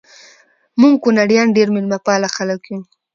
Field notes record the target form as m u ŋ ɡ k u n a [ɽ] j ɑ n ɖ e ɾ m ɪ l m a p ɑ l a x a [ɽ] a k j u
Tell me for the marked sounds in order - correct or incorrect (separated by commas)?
correct, incorrect